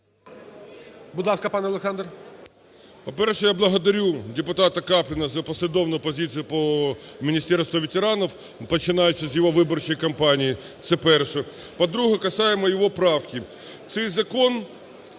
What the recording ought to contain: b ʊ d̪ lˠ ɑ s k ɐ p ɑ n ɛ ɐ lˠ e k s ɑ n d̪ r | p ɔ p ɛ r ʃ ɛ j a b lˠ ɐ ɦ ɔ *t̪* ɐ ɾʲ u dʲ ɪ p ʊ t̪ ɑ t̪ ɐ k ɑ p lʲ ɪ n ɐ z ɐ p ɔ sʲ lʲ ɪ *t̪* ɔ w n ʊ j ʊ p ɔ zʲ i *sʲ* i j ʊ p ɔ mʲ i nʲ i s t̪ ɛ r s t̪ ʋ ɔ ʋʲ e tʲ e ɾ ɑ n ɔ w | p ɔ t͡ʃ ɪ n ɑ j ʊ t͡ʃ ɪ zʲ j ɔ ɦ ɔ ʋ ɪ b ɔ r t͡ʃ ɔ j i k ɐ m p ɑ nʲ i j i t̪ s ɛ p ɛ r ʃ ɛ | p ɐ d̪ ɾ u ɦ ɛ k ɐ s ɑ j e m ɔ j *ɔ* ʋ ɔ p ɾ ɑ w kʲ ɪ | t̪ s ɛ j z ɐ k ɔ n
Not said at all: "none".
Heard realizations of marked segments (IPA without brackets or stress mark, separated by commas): d̪, d̪, t͡sʲ, ɔ